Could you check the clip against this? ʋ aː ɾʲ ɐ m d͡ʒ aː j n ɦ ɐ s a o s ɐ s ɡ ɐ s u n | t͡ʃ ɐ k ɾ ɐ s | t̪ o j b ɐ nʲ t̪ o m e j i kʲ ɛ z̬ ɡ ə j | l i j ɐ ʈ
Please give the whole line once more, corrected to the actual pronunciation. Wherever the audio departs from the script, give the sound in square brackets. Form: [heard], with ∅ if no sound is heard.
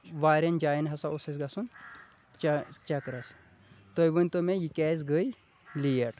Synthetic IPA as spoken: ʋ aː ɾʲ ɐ [n] d͡ʒ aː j n ɦ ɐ s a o s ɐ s ɡ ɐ s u n | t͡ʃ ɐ k ɾ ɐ s | t̪ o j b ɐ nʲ t̪ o m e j i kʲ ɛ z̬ ɡ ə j | l i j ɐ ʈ